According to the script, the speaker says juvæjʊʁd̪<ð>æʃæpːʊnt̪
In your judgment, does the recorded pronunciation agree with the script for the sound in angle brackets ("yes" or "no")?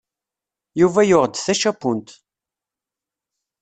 no